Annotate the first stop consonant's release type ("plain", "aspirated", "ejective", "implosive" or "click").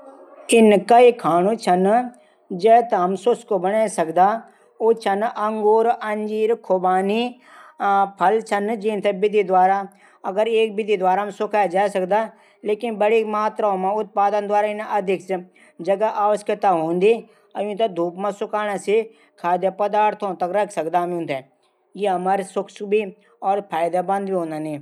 plain